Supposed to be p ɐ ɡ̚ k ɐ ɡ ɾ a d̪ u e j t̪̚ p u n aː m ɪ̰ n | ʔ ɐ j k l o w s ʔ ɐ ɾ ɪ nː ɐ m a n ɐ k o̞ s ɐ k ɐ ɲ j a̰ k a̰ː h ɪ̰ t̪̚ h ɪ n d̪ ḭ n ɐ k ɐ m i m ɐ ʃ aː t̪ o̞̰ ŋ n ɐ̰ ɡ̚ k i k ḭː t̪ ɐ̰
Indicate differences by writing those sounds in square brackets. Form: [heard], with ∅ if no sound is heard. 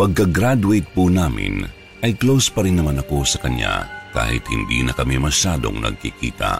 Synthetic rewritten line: p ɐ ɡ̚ k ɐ ɡ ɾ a d̪ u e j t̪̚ p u n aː m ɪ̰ n | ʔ ɐ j k l o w s [p] ɐ ɾ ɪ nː ɐ m a n ɐ k o̞ s ɐ k ɐ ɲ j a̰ k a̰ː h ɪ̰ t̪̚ h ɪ n d̪ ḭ n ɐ k ɐ m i m ɐ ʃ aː [d̪] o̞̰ ŋ n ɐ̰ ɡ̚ k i k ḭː t̪ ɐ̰